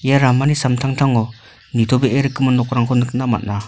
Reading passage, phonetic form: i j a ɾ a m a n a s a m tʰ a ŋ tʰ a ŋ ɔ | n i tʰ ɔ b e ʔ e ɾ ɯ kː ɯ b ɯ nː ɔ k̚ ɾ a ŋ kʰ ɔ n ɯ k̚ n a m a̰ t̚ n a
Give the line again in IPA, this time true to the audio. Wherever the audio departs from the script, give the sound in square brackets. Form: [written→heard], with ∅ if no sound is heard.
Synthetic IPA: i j a ɾ a m a n [a→i] s a m tʰ a ŋ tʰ a ŋ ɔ | n i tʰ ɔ b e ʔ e ɾ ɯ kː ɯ [b→m] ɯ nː ɔ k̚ ɾ a ŋ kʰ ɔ n ɯ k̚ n a m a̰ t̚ n a